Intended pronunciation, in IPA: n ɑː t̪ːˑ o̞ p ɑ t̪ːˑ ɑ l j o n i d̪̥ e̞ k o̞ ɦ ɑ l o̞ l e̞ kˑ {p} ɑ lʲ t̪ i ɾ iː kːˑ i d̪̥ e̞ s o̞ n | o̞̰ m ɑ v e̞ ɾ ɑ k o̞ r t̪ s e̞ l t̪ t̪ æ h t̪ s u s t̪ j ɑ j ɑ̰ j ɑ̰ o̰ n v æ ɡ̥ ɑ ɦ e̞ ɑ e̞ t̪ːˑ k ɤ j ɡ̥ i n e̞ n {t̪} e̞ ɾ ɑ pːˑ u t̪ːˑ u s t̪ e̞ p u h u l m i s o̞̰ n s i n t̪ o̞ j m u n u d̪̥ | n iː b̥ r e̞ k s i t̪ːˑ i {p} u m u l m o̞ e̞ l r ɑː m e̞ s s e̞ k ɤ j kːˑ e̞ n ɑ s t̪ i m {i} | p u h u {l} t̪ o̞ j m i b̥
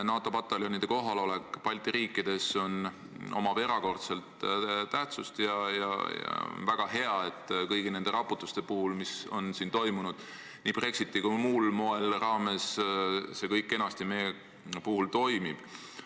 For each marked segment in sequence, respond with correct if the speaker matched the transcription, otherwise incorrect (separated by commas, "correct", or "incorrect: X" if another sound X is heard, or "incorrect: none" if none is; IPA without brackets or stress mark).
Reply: correct, incorrect: d̪, incorrect: k, incorrect: e, correct